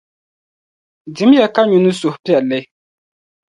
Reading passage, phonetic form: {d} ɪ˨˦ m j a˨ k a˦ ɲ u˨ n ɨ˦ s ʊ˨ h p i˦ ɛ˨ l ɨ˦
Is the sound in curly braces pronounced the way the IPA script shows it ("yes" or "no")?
yes